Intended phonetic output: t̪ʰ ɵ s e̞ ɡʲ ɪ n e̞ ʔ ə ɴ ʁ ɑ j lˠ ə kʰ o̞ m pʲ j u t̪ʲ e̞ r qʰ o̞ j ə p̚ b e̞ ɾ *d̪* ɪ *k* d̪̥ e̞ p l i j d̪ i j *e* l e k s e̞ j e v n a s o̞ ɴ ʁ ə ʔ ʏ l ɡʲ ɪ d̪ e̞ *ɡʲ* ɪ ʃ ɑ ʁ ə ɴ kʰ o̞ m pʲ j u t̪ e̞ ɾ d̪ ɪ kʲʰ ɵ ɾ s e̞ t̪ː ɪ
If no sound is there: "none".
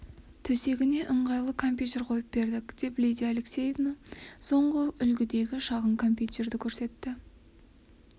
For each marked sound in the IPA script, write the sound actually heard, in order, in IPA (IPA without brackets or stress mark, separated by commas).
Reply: d̪, k, a, ɡʲ